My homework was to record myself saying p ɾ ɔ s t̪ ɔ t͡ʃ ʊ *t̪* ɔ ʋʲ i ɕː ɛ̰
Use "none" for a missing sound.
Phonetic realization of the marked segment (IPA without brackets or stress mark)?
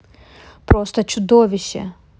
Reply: d̪